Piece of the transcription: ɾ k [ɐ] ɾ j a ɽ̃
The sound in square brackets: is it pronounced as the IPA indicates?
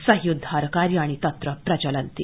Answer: no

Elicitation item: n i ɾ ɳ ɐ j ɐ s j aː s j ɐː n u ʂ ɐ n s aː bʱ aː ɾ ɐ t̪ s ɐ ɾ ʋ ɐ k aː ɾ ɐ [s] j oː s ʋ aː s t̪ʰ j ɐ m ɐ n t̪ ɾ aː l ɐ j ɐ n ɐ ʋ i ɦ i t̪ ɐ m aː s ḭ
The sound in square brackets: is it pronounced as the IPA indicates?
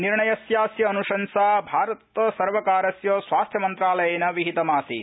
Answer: yes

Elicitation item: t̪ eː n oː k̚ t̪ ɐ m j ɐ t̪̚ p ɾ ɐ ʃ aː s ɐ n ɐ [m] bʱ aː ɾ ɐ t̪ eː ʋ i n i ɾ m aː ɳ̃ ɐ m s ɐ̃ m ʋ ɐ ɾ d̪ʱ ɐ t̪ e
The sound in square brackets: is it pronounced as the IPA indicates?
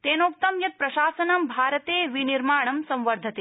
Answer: yes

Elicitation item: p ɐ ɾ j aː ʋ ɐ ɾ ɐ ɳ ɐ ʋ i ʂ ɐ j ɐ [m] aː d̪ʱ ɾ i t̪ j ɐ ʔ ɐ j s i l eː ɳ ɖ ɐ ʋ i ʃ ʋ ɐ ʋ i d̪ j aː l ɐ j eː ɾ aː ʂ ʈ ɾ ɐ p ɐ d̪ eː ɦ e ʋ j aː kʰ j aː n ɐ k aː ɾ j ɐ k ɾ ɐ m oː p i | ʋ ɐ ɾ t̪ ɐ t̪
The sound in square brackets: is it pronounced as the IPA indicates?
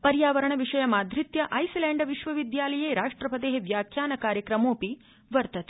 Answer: yes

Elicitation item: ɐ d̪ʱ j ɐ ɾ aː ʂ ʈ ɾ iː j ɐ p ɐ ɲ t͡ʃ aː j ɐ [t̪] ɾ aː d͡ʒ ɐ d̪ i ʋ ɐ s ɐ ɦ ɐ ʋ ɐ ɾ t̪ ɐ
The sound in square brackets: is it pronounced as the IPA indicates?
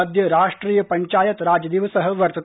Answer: yes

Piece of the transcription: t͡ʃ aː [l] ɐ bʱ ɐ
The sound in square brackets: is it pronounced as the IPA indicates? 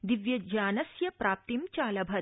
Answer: yes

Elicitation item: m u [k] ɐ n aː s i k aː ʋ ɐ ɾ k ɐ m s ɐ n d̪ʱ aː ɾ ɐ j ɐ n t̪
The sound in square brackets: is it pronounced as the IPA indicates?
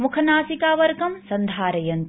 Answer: no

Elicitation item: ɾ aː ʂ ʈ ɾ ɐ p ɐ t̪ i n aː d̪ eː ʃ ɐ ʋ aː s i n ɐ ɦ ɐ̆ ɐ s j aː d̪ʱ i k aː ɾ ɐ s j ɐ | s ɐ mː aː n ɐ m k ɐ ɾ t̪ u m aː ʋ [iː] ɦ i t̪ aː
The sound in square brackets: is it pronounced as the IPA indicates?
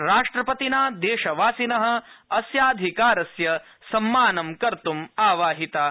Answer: no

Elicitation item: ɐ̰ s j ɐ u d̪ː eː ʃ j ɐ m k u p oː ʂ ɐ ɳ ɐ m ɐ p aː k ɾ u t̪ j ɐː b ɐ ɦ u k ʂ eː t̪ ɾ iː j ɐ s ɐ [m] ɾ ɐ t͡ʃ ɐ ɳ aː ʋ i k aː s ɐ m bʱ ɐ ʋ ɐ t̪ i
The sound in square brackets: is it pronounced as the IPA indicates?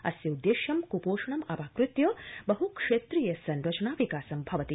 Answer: no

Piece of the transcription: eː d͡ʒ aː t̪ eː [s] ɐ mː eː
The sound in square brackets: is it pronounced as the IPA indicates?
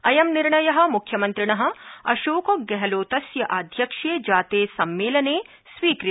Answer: yes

